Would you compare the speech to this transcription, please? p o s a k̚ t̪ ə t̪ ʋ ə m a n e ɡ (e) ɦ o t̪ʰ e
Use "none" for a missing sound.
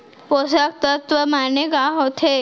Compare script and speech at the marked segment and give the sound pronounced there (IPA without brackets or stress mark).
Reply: a